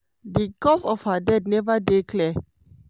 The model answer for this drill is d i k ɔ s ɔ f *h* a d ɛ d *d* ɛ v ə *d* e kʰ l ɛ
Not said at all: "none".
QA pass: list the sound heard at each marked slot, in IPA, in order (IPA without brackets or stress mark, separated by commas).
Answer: h, n, d